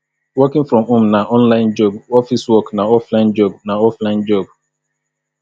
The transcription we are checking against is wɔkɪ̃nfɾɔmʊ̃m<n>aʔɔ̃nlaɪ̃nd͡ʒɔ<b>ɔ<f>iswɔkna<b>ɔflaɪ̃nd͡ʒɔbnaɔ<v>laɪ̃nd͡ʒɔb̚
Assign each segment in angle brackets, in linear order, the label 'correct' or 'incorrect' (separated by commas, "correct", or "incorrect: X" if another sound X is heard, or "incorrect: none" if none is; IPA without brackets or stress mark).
correct, correct, correct, incorrect: none, incorrect: f